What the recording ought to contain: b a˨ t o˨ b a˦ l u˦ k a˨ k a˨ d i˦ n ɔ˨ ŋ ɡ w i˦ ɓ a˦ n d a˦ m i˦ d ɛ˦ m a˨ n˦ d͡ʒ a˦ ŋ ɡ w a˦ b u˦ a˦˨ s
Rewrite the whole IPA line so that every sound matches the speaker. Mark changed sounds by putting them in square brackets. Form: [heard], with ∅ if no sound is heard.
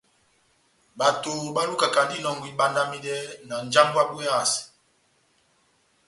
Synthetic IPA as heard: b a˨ t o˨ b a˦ l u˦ k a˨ k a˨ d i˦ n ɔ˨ ŋ ɡ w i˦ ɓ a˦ n d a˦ m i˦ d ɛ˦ [n] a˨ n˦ d͡ʒ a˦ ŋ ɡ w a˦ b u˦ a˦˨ s